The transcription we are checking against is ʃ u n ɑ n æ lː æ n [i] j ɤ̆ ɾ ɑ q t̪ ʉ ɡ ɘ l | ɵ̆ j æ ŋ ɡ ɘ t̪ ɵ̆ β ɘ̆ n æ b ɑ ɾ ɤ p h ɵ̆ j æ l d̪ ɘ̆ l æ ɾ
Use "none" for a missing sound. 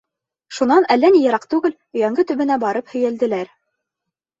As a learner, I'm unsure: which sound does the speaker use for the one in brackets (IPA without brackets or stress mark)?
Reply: i